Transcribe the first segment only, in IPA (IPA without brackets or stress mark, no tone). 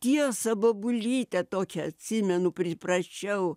t̪ʲ